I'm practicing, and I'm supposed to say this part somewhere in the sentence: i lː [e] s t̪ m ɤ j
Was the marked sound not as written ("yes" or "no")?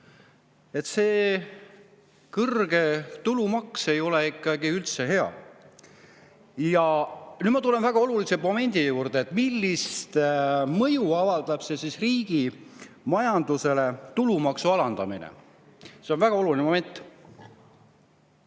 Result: yes